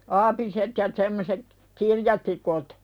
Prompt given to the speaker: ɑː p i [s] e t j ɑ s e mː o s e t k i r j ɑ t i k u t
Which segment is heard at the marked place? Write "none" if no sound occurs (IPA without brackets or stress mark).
s